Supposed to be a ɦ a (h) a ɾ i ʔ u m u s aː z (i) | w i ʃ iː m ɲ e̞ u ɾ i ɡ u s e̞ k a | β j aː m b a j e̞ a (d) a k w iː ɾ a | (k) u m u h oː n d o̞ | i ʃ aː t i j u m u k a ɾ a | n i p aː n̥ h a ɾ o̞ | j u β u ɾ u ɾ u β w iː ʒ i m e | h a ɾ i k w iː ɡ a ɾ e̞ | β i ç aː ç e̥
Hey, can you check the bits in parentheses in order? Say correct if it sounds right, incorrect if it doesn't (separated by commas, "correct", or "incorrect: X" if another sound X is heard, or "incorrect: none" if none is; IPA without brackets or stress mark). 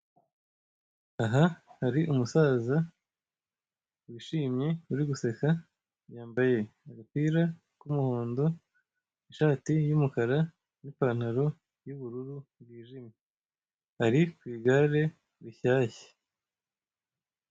correct, incorrect: a, incorrect: ɡ, correct